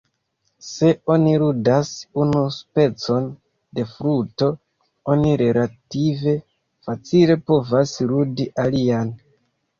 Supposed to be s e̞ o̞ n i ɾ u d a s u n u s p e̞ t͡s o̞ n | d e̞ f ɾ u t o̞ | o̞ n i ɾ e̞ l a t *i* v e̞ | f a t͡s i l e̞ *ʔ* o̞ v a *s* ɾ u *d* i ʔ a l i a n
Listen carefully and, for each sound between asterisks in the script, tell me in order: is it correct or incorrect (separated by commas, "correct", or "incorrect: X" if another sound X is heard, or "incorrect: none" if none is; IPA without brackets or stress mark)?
correct, incorrect: p, correct, correct